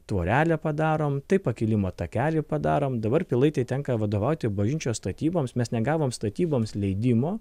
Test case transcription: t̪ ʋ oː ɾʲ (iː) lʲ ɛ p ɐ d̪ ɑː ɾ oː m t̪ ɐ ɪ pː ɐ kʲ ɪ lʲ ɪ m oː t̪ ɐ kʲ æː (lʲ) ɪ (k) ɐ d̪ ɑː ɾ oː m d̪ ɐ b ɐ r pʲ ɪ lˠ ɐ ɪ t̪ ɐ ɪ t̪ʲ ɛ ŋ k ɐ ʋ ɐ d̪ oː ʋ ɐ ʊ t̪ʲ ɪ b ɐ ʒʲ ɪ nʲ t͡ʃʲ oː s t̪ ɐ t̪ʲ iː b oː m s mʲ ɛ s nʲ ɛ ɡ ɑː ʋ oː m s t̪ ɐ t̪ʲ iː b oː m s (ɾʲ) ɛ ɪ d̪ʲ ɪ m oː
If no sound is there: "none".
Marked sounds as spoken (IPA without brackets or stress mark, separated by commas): æː, lʲ, p, lʲ